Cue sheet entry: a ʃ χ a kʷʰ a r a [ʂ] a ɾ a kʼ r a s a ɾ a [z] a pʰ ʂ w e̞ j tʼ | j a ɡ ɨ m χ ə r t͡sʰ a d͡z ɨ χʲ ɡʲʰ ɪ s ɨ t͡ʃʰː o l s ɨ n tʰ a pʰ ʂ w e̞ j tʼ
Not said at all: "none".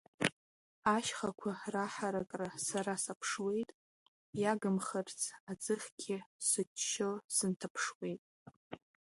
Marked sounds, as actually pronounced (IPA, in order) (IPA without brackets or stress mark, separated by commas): ħ, s